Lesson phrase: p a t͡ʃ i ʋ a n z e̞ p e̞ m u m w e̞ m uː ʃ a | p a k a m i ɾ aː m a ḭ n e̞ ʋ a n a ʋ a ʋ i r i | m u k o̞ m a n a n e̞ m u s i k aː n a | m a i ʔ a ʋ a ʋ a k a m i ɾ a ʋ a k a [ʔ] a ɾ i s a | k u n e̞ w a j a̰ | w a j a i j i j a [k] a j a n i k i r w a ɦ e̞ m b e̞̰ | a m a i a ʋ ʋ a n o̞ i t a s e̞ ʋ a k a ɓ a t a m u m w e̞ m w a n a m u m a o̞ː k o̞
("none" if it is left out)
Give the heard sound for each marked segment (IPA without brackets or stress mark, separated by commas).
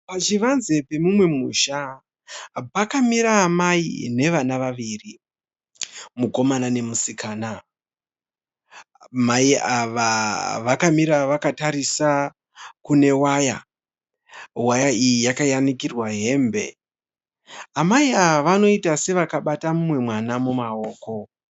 t, k